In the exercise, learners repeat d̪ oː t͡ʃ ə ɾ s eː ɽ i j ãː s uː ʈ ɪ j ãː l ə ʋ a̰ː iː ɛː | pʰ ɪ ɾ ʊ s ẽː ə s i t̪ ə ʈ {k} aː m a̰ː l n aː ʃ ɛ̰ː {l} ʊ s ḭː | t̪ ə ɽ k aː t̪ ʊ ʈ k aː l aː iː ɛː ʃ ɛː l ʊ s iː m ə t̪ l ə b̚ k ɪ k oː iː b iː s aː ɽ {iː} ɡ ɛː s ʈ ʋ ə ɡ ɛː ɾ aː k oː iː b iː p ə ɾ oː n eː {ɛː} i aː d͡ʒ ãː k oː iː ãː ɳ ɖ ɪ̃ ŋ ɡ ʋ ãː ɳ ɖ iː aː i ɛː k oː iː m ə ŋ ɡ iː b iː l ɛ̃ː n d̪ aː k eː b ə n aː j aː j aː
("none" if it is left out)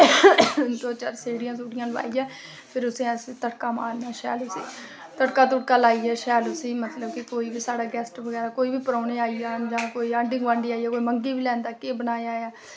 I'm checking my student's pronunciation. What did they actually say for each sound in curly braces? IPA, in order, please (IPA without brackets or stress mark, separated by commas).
k, l, aː, aː